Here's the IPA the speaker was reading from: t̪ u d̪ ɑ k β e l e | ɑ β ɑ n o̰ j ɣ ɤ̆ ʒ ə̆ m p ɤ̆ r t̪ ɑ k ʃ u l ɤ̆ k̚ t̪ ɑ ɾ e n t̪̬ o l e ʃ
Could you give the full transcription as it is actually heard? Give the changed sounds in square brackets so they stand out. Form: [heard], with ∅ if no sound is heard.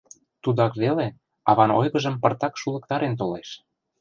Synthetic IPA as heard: t̪ u d̪ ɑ k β e l e | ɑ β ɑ n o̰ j ɣ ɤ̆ ʒ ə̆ m p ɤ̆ r t̪ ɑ k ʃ u l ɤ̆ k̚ t̪ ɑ ɾ e n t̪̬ o l e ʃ

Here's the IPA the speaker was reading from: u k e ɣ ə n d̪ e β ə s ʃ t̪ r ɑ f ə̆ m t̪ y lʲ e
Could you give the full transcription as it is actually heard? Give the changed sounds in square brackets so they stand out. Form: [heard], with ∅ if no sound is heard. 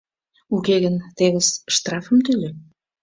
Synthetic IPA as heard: u k e ɣ ə n [t̪] e β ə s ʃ t̪ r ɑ f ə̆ m t̪ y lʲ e

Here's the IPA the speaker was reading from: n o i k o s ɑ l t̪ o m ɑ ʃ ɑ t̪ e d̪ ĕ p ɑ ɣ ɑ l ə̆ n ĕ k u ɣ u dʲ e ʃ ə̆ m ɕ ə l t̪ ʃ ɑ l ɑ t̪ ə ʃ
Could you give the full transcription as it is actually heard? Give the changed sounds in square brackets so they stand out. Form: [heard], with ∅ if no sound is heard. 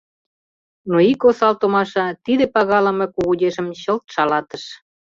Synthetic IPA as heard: n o i k o s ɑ l t̪ o m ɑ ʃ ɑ t̪ [i] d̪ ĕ p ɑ ɣ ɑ l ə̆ [m] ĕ k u ɣ u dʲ e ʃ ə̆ m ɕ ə l t̪ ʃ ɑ l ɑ t̪ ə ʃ

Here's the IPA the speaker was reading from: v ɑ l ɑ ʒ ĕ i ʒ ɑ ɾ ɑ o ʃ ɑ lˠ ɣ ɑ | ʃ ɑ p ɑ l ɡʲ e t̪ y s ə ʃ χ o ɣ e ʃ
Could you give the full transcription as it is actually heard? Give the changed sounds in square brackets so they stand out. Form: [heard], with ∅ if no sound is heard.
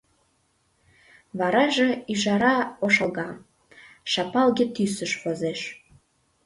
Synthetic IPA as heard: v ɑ [ɾ] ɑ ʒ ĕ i ʒ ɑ ɾ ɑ o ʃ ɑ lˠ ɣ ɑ | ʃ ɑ p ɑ l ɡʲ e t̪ y s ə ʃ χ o [z] e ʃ

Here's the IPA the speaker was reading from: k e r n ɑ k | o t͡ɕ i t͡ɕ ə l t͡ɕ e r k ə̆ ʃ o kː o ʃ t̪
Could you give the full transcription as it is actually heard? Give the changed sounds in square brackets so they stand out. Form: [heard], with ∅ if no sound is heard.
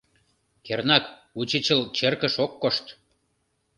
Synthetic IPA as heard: k e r n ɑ k | [u] t͡ɕ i t͡ɕ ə l t͡ɕ e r k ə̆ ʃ o kː o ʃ t̪

